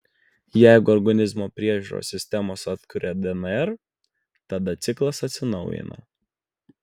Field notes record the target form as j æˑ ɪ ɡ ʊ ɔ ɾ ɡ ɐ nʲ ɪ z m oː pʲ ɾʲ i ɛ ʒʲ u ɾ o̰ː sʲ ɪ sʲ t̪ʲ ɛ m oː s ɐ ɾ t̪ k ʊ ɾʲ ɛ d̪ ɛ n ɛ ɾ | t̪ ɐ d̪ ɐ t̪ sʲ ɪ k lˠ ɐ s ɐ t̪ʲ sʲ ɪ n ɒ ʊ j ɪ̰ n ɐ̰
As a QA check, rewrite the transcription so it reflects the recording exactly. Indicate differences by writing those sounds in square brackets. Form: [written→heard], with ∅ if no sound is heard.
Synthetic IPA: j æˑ ɪ ɡ ʊ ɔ ɾ ɡ ɐ nʲ ɪ z m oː pʲ ɾʲ i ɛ ʒʲ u ɾ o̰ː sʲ ɪ sʲ t̪ʲ ɛ m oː s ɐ [ɾ→∅] t̪ k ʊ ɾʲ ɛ d̪ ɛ n ɛ ɾ | t̪ ɐ d̪ ɐ t̪ sʲ ɪ k lˠ ɐ s ɐ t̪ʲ sʲ ɪ n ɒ ʊ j ɪ̰ n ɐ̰